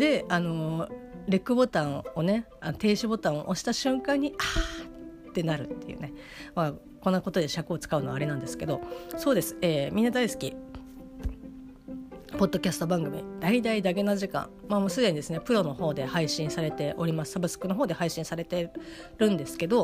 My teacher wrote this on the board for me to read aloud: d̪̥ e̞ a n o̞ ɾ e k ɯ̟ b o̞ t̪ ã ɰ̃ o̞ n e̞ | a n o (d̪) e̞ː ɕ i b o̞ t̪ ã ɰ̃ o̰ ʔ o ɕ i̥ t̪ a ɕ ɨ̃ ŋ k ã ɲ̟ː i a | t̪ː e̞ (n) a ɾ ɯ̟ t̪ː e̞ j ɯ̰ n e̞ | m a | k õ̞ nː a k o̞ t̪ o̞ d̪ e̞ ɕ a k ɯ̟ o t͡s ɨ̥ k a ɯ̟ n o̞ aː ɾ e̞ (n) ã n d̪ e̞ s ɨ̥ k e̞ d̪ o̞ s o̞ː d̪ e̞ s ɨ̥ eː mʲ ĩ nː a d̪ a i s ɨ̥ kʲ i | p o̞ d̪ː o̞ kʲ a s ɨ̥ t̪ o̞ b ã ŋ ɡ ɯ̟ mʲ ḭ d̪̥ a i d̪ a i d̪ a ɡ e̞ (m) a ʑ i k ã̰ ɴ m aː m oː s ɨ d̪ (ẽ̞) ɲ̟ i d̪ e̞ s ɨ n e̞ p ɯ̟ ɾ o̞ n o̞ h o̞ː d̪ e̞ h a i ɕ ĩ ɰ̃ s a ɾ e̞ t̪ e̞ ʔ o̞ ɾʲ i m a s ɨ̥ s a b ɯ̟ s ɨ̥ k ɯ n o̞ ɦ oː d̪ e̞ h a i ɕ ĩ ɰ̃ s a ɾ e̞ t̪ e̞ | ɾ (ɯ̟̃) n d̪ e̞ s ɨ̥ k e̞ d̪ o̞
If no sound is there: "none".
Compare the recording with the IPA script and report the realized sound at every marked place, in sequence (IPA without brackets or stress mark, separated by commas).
t̪, n, n, n, e̞, ɯ̟̃